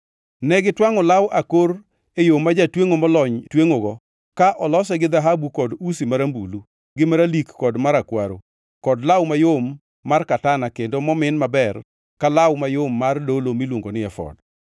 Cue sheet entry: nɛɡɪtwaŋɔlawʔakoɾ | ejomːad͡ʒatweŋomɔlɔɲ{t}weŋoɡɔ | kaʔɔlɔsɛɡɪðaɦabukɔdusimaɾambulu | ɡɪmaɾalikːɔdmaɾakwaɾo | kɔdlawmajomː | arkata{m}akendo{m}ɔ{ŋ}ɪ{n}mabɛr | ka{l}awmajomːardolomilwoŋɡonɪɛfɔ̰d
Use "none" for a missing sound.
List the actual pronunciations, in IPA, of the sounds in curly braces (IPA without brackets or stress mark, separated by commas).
t, n, m, m, n, l